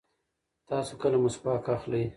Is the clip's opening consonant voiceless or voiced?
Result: voiceless